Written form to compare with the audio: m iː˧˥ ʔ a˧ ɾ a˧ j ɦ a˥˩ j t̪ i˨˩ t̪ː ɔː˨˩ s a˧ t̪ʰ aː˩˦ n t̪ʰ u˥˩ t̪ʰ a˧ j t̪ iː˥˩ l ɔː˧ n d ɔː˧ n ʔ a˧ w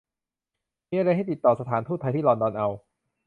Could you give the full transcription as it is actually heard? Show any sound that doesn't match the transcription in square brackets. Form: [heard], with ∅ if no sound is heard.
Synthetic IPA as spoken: m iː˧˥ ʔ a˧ ɾ a˧ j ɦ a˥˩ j t̪ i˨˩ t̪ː ɔː˨˩ s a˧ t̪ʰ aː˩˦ n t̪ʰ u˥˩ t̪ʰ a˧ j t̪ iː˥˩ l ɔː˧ n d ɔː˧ n ʔ a˧ w